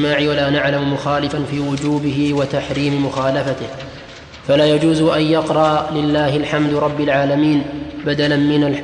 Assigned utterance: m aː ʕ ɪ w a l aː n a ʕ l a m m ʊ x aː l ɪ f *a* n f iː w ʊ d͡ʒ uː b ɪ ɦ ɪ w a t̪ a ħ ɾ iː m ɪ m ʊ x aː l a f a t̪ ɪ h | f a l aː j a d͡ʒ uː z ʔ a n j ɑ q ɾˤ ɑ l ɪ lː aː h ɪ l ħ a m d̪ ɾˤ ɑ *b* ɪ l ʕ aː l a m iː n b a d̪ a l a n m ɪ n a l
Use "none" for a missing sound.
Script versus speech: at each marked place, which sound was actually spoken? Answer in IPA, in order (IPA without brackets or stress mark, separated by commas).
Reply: a, bː